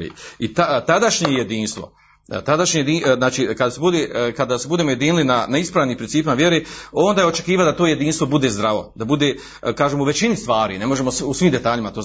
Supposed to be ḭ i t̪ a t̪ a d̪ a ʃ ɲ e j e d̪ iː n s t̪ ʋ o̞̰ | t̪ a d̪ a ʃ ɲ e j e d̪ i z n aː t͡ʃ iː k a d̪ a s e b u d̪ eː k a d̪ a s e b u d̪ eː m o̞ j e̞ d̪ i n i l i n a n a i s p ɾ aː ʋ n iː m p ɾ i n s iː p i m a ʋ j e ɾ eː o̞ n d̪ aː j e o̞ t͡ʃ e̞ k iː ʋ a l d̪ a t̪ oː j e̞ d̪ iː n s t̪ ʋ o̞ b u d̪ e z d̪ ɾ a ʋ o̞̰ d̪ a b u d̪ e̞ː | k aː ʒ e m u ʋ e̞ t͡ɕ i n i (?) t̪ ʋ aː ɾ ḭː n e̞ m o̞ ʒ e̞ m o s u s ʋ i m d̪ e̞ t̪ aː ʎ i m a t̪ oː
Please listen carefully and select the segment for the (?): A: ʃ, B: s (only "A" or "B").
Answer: B